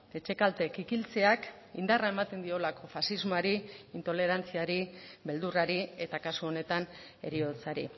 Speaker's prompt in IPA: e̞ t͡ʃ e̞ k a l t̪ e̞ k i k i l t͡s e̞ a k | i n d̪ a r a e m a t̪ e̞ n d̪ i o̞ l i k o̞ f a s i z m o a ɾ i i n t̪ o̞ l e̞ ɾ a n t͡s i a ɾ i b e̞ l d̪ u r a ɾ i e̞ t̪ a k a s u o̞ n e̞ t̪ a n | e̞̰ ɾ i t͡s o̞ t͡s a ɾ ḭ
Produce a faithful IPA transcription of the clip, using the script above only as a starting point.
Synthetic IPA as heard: e̞ t͡ʃ e̞ k a l t̪ e̞ k i k i l t͡s e̞ a k | i n d̪ a r a e m a t̪ e̞ n d̪ i o̞ l a k o̞ f a s i z m o a ɾ i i n t̪ o̞ l e̞ ɾ a n t͡s i a ɾ i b e̞ l d̪ u r a ɾ i e̞ t̪ a k a s u o̞ n e̞ t̪ a n | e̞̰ ɾ i o̞ t͡s a ɾ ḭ